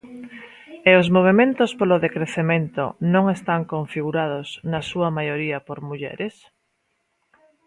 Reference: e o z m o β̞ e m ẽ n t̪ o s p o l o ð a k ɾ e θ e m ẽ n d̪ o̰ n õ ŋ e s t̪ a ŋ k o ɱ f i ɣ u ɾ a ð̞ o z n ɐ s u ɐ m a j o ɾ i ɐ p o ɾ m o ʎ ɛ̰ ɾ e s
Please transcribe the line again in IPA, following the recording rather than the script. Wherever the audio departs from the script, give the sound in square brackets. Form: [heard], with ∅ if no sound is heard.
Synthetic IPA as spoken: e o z m o β̞ e m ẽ n t̪ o s p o l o ð [e] k ɾ e θ e m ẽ n [t̪] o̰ n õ ŋ e s t̪ a ŋ k o ɱ f i ɣ u ɾ a ð̞ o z n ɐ s u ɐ m a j o ɾ i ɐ p o ɾ m [u] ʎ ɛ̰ ɾ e s